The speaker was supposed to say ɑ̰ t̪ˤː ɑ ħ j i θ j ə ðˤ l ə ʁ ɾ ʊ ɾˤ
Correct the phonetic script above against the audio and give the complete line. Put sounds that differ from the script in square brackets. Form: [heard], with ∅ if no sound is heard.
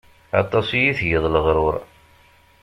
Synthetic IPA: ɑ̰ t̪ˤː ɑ [s] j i θ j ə ðˤ l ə ʁ ɾ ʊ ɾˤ